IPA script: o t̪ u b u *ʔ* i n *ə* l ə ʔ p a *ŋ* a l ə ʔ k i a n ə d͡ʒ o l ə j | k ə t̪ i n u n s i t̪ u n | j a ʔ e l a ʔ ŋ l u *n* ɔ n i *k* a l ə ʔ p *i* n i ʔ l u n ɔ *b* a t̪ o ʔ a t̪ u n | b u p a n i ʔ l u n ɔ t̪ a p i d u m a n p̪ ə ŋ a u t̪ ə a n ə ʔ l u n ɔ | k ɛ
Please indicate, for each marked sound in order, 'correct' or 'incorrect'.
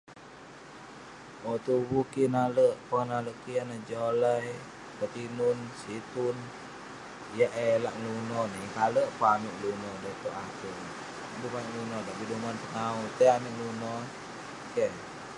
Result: incorrect: k, incorrect: a, incorrect: n, correct, correct, incorrect: a, incorrect: d

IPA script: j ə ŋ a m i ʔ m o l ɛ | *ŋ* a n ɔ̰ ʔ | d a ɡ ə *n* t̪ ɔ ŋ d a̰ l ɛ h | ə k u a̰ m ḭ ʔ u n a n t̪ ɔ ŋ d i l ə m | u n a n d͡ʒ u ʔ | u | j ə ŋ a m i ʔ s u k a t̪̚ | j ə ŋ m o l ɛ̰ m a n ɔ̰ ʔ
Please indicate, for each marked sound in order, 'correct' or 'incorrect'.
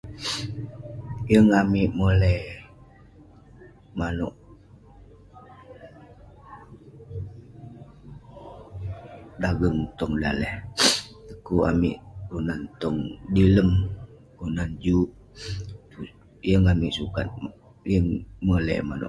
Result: incorrect: m, incorrect: ŋ

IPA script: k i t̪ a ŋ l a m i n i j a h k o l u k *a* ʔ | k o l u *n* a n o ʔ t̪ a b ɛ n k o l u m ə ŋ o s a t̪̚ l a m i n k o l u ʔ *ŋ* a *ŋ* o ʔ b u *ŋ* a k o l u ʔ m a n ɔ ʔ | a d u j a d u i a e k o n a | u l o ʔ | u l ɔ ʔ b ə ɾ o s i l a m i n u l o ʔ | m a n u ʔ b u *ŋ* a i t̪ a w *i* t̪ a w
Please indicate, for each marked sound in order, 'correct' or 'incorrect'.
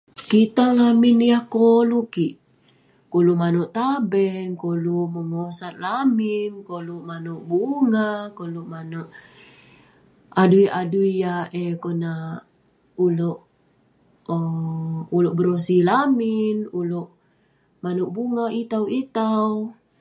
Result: incorrect: i, incorrect: m, incorrect: m, incorrect: n, correct, correct, correct

